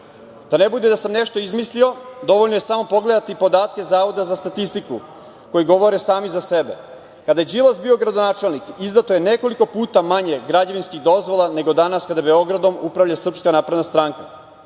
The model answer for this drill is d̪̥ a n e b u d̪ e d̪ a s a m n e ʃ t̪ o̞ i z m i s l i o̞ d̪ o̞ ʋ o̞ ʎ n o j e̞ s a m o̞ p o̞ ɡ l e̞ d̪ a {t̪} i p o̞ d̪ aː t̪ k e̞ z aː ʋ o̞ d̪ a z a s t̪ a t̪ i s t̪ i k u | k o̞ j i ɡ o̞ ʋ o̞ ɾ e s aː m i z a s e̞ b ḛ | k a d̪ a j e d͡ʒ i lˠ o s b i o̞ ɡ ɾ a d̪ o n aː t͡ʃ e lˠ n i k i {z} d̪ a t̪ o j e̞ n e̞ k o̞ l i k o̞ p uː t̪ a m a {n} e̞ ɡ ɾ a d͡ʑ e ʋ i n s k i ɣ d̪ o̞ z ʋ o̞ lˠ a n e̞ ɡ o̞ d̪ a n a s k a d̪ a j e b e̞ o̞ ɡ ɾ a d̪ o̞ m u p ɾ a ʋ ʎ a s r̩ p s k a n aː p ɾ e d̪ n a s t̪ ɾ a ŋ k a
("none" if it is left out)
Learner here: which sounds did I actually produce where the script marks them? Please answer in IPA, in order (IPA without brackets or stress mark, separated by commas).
t̪, z, ɲ